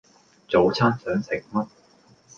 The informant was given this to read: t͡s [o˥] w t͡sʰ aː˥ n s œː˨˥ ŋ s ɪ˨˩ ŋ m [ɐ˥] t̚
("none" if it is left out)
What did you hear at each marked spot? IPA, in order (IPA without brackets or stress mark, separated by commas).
o˨˥, ɐ˥